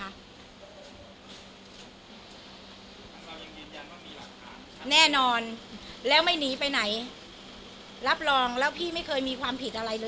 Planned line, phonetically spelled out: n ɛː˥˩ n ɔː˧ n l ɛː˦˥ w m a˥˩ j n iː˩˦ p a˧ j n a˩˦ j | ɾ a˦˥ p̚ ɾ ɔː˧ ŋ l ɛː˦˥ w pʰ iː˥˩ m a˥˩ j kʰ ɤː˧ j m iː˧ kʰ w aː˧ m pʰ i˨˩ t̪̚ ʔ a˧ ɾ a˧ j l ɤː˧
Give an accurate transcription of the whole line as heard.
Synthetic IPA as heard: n ɛː˥˩ n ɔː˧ n l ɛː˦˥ w m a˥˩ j n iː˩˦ p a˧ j n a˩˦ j | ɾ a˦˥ p̚ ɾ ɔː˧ ŋ l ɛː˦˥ w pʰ iː˥˩ m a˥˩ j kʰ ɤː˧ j m iː˧ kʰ w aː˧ m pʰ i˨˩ t̪̚ ʔ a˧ ɾ a˧ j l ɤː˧

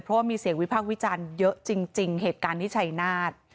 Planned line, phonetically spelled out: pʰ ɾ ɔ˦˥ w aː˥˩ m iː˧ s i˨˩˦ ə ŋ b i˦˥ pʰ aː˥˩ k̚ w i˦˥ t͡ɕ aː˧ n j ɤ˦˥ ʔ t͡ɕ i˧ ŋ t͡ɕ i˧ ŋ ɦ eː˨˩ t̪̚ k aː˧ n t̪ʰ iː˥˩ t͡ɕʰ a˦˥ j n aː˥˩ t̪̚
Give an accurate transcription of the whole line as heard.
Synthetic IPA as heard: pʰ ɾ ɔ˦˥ w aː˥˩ m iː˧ s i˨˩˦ ə ŋ w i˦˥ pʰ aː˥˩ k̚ w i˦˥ t͡ɕ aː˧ n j ɤ˦˥ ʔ t͡ɕ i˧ ŋ t͡ɕ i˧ ŋ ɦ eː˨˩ t̪̚ k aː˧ n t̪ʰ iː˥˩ t͡ɕʰ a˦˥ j n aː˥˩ t̪̚

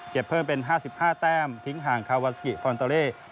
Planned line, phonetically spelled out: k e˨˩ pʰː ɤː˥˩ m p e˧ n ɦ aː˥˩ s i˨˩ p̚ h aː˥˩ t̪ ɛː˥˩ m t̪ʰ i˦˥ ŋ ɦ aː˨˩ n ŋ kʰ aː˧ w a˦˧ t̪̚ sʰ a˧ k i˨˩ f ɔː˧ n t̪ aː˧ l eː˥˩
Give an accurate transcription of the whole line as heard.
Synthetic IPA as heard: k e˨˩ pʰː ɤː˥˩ m p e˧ n ɦ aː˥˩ s i˨˩ p̚ h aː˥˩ t̪ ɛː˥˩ m t̪ʰ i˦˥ ŋ ɦ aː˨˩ ŋ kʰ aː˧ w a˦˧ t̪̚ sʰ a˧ k i˨˩ f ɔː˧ n t̪ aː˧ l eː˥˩

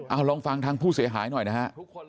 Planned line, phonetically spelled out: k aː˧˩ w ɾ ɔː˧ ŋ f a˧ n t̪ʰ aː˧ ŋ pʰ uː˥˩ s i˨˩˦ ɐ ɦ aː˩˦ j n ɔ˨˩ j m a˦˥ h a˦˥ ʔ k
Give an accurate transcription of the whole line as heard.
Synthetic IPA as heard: ʔ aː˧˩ w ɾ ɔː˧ ŋ f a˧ ŋ t̪ʰ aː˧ ŋ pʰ uː˥˩ s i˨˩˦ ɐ ɦ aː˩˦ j n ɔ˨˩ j n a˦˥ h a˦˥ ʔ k

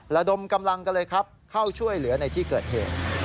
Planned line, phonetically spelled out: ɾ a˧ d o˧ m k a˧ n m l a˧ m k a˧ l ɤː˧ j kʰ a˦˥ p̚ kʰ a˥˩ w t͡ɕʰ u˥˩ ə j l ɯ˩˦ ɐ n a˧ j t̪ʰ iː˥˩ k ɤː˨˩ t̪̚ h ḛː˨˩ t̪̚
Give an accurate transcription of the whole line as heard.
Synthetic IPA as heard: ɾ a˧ d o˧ m k a˧ m l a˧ ŋ k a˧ l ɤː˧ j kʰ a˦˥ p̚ kʰ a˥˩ w t͡ɕʰ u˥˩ ə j l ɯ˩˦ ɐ n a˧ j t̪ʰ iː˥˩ k ɤː˨˩ t̪̚ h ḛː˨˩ t̪̚

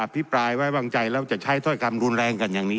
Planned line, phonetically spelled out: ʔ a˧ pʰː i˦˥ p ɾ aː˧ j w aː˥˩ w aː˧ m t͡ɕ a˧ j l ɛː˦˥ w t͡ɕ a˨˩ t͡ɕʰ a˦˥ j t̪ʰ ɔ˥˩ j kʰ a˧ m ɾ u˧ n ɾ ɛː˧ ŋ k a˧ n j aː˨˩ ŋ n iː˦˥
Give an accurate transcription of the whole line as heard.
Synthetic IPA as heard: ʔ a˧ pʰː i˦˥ p ɾ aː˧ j w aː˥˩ w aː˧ ŋ t͡ɕ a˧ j l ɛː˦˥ w t͡ɕ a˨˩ t͡ɕʰ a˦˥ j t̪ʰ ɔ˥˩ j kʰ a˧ m ɾ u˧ n ɾ ɛː˧ ŋ k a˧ n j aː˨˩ ŋ n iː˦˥

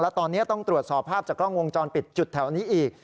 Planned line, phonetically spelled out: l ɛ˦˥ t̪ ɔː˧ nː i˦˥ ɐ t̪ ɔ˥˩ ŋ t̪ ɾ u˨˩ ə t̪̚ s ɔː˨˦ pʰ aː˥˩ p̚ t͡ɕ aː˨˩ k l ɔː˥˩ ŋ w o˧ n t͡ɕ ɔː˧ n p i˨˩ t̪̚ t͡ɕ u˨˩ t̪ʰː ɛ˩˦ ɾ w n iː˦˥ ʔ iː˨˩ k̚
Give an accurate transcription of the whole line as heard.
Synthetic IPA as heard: l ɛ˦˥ t̪ ɔː˧ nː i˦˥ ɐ t̪ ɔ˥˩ ŋ t̪ ɾ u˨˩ ə t̪̚ s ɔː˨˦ pʰ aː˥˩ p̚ t͡ɕ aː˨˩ k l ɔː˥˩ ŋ w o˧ ŋ t͡ɕ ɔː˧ n p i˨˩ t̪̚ t͡ɕ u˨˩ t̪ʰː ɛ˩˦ w n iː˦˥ ʔ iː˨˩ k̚

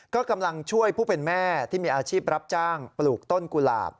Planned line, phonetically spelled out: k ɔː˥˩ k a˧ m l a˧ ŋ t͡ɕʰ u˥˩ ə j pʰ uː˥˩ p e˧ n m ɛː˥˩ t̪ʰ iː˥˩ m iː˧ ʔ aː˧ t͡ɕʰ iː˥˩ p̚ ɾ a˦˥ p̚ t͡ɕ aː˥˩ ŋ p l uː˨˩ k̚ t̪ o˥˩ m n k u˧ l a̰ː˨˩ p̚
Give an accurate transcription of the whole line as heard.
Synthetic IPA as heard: k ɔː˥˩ k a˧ m l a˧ ŋ t͡ɕʰ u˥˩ ə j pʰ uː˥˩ p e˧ n m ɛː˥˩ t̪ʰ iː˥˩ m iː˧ ʔ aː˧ t͡ɕʰ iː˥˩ p̚ ɾ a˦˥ p̚ t͡ɕ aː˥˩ ŋ p l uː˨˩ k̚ t̪ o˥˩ n k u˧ l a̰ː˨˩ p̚

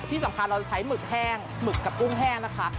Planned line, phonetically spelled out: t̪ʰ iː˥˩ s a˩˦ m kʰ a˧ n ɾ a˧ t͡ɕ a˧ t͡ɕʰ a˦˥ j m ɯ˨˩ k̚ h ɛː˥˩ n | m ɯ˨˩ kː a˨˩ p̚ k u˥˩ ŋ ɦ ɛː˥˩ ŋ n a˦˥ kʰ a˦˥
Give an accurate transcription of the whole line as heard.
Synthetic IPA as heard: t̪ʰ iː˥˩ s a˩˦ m kʰ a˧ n ɾ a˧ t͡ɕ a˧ t͡ɕʰ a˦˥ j m ɯ˨˩ k̚ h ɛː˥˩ ŋ | m ɯ˨˩ kː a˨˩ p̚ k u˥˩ ŋ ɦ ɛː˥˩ ŋ n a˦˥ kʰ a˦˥

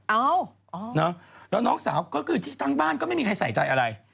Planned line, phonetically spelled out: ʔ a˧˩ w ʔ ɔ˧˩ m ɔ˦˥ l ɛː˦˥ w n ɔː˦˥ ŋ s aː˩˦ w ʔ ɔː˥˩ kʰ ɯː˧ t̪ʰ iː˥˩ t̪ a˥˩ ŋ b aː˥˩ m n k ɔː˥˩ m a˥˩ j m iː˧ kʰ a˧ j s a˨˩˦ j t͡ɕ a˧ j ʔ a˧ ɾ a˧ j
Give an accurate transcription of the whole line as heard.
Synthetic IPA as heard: ʔ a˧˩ w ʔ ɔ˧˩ n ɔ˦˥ l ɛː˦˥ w n ɔː˦˥ ŋ s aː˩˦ w k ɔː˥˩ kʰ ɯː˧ t̪ʰ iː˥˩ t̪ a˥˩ ŋ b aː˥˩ n k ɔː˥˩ m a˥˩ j m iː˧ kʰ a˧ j s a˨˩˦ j t͡ɕ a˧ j ʔ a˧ ɾ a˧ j

